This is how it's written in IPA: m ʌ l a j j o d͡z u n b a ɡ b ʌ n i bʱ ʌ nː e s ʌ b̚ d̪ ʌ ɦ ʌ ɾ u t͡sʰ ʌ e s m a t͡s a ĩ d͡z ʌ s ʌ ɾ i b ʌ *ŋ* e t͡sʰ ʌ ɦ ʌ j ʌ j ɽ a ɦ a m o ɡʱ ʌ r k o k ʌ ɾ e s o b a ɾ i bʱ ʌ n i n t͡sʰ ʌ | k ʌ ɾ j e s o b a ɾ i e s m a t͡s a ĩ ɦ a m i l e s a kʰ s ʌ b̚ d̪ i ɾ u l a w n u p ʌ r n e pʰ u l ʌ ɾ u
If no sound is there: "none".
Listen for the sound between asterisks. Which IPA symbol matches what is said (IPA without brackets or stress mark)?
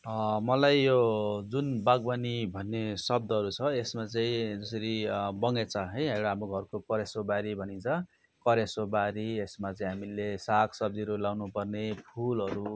ŋ